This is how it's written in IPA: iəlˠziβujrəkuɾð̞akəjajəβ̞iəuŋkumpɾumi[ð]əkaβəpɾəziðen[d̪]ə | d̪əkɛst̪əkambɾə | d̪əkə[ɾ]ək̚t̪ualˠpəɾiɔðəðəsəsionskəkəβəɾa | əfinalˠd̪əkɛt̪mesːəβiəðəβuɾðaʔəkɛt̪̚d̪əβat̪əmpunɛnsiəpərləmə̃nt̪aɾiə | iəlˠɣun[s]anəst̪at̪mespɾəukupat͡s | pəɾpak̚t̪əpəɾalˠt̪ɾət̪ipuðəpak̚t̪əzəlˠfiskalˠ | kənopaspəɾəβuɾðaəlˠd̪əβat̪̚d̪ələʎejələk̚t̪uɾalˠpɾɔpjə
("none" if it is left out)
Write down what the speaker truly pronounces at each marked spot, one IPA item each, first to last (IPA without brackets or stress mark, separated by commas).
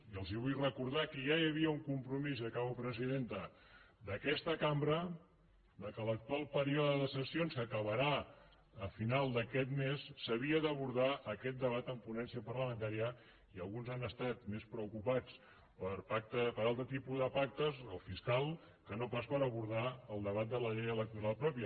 z, t̪, l, z